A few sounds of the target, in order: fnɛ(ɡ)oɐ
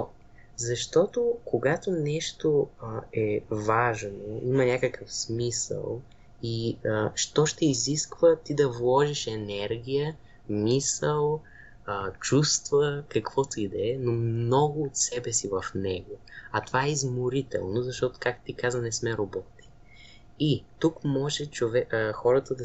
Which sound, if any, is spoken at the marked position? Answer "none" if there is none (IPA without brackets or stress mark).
ɡ